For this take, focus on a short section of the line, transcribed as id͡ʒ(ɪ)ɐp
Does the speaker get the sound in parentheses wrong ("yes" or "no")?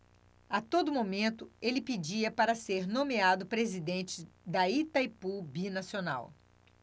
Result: yes